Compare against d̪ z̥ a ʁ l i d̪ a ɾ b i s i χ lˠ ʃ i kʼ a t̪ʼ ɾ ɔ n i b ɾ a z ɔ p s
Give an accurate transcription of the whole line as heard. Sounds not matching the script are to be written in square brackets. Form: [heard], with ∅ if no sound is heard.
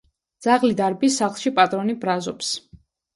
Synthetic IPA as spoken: d̪ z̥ a ʁ l i d̪ a ɾ b i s [a] χ lˠ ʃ i [pʼ] a t̪ʼ ɾ ɔ n i b ɾ a z ɔ p s